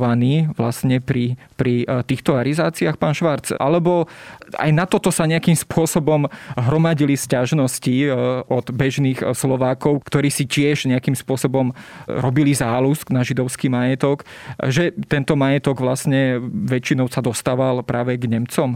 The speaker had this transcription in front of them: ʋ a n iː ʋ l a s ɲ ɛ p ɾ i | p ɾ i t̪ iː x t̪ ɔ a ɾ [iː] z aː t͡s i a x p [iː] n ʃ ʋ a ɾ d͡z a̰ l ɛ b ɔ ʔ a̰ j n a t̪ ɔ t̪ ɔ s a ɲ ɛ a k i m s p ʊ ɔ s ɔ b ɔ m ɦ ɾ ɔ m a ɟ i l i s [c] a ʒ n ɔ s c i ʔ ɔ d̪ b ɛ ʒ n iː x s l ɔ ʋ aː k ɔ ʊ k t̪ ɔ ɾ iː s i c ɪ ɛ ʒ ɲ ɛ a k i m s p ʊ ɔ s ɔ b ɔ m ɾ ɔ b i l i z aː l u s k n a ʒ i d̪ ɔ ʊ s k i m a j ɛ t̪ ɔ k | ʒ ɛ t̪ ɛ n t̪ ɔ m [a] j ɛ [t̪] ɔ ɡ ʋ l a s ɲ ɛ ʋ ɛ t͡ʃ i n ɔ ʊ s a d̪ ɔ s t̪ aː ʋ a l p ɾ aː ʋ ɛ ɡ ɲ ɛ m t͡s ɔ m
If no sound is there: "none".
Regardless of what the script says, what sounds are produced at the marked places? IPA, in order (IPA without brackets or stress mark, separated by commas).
i, aː, c, a, t̪